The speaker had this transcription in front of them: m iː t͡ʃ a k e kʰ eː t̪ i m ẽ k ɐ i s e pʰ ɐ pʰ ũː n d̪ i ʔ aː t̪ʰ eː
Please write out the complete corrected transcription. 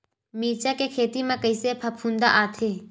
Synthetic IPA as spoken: m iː t͡ʃ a k e kʰ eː t̪ i m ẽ k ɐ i s e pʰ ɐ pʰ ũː n d̪ a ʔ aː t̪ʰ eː

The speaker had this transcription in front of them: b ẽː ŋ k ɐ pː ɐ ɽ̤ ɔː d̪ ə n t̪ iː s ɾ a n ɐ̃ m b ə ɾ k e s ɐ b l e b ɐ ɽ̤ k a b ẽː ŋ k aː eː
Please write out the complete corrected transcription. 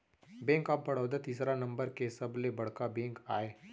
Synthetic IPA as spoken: b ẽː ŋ k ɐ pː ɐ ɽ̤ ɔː d̪ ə t̪ iː s ɾ a n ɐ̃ m b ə ɾ k e s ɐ b l e b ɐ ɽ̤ k a b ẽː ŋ k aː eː

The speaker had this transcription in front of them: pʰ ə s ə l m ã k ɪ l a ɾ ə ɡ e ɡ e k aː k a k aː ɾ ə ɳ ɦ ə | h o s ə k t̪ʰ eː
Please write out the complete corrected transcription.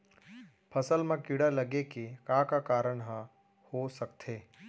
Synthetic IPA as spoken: pʰ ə s ə l m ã k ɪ ɽ a l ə ɡ e k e k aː k a k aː ɾ ə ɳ ɦ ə | h o s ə k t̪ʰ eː

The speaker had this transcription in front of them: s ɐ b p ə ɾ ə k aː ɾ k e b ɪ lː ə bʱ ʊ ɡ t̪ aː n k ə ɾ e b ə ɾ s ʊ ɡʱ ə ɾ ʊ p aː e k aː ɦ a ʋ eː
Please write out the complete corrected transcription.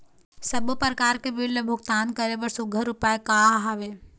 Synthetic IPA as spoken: s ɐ b p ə ɾ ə k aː ɾ k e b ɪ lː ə bʱ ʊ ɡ t̪ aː n k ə ɾ e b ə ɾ s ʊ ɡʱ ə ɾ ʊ p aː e k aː ɦ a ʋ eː

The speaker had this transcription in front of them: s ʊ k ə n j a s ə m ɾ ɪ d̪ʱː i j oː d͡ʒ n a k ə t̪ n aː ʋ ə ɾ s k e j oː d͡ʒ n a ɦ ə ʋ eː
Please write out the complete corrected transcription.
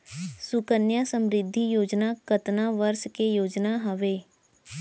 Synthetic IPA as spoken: s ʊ k ə n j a s ə m ɾ ɪ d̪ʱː i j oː d͡ʒ n a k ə t̪ n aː ʋ ə ɾ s k e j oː d͡ʒ n a ɦ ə ʋ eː

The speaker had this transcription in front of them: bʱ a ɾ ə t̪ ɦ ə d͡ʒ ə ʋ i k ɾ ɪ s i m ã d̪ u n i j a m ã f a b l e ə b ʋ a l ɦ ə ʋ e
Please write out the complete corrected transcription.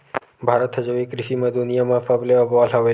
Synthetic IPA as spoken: bʱ a ɾ ə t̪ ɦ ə d͡ʒ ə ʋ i k ɾ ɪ ʃ i m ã d̪ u n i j a m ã f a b l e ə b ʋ a l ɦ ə ʋ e

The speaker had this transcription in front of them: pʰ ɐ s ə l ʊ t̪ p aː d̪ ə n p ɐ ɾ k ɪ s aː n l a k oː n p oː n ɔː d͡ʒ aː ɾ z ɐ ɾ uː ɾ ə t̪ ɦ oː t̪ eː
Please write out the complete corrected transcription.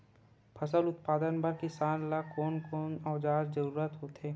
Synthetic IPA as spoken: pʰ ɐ s ə l ʊ t̪ p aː d̪ ə n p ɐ ɾ k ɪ s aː n l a k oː n k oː n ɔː d͡ʒ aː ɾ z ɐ ɾ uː ɾ ə t̪ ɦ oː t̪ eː

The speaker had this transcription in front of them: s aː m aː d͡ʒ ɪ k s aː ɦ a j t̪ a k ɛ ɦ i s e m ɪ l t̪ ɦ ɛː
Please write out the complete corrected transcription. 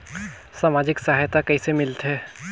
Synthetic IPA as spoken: s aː m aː d͡ʒ ɪ k s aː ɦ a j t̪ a k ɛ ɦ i s e m ɪ l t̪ ɦ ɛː

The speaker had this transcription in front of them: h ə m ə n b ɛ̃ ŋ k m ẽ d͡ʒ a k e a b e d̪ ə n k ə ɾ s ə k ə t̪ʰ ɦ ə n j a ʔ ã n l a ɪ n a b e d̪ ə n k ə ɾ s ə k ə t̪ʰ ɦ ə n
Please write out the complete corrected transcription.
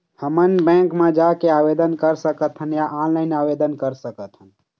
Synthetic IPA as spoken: h ə m ə n b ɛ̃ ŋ k m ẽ d͡ʒ a k e a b e d̪ ə n k ə ɾ s ə k ə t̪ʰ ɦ ə n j a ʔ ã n l a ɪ n a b e d̪ ə n k ə ɾ s ə k ə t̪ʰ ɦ ə n

